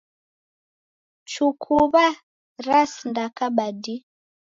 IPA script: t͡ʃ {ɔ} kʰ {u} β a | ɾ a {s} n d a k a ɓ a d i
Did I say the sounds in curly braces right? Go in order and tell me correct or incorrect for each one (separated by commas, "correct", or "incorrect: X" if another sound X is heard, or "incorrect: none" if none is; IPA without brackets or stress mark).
incorrect: u, correct, correct